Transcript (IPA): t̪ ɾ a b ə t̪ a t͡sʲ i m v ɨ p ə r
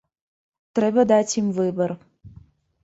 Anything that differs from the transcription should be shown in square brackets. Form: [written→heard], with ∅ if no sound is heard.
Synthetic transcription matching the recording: t̪ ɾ [a→ɛ] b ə [t̪→d̪] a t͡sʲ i m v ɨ [p→b] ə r